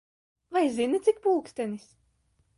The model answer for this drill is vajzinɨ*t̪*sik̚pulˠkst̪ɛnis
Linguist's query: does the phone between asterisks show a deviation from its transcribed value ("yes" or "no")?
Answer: no